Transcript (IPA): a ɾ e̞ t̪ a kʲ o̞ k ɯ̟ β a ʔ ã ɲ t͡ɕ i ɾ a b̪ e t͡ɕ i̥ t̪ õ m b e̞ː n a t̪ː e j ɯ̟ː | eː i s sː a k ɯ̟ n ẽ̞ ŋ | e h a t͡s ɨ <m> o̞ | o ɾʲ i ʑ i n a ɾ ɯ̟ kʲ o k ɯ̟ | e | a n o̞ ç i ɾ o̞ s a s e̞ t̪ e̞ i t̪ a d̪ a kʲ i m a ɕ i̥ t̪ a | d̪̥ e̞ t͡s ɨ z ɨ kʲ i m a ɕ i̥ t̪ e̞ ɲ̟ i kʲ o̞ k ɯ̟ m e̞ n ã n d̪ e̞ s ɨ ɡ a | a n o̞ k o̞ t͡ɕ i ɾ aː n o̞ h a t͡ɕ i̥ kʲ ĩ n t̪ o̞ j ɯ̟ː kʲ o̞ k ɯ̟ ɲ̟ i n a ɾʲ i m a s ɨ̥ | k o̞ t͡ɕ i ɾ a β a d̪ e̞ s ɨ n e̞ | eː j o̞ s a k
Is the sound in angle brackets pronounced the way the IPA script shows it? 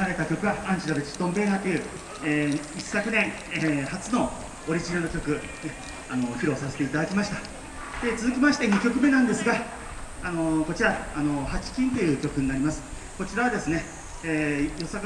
no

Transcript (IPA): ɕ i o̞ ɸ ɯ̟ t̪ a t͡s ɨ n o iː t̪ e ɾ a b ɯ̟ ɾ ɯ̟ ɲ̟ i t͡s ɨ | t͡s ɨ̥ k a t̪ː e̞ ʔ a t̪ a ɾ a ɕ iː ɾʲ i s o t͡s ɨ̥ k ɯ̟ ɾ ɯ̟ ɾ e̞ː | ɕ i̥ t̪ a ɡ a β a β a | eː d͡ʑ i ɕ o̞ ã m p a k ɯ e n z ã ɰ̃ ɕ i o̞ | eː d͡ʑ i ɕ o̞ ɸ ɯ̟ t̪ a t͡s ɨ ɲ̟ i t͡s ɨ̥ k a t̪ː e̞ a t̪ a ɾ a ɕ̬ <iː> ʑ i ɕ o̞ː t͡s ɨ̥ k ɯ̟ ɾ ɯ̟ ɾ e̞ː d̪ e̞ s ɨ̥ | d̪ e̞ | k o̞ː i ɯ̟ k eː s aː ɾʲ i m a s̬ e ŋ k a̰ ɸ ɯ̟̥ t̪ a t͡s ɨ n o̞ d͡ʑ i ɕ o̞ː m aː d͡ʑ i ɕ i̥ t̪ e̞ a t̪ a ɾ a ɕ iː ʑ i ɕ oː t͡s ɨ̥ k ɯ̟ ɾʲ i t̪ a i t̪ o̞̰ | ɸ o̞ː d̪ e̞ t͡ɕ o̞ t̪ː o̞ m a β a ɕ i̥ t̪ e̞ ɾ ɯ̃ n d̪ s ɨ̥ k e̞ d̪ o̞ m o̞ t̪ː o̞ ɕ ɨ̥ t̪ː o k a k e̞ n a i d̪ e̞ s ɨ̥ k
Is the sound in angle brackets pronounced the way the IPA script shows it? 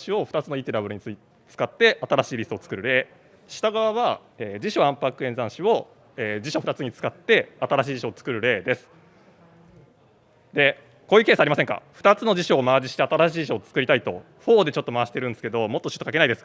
yes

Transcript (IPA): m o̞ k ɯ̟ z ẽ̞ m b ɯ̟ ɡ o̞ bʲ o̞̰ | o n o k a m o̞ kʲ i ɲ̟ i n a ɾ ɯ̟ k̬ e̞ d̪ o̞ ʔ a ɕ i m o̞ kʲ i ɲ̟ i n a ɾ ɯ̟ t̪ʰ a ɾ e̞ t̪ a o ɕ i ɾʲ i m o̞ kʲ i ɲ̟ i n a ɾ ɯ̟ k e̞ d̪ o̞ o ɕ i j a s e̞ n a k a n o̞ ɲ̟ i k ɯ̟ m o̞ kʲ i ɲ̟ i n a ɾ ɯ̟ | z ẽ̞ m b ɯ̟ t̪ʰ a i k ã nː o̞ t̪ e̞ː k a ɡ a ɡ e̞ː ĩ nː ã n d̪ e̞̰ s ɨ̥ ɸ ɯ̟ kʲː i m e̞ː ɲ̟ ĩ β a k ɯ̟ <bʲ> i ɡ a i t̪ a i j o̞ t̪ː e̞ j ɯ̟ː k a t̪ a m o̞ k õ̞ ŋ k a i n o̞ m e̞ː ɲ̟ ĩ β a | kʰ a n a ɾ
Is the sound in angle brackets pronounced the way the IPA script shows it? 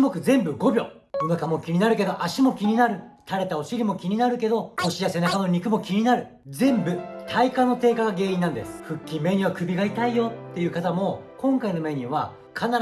yes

